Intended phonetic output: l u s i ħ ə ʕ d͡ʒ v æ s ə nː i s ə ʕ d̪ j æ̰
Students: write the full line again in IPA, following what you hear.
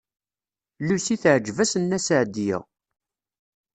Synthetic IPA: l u s i θ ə ʕ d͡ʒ v æ s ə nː æ s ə ʕ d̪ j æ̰